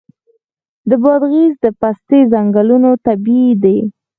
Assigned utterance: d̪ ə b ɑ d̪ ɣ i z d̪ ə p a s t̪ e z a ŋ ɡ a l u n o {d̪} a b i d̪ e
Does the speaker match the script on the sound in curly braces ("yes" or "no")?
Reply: no